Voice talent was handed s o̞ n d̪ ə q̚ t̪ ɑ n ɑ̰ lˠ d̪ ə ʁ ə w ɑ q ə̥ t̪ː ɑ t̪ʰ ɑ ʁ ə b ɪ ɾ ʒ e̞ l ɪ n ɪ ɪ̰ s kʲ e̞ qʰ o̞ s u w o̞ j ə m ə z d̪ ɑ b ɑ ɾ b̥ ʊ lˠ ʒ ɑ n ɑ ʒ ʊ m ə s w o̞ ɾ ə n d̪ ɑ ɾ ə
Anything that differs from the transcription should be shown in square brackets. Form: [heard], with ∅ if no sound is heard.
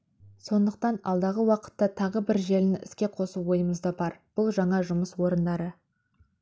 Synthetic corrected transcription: s o̞ n d̪ ə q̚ t̪ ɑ n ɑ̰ lˠ d̪ [ɑ] ʁ ə w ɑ q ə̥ t̪ː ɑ t̪ʰ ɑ ʁ ə b ɪ ɾ ʒ e̞ l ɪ n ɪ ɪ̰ s kʲ e̞ qʰ o̞ s u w o̞ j ə m ə z d̪ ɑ b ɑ ɾ b̥ ʊ lˠ ʒ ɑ [ɴ] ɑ ʒ ʊ m ə s w o̞ ɾ ə n d̪ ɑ ɾ ə